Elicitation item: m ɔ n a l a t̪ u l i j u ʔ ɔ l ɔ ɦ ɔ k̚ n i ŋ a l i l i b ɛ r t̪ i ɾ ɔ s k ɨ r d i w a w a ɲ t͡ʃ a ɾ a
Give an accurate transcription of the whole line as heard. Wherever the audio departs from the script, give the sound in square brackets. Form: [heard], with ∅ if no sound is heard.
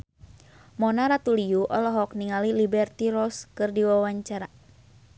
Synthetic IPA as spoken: m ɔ n a [ɾ] a t̪ u l i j u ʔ ɔ l ɔ ɦ ɔ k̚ n i ŋ a l i l i b ɛ r t̪ i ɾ ɔ s k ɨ r d i w a w a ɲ t͡ʃ a ɾ a